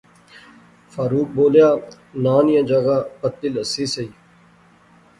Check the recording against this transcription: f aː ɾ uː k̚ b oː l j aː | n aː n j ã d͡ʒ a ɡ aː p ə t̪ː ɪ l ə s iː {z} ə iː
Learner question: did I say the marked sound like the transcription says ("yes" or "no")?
no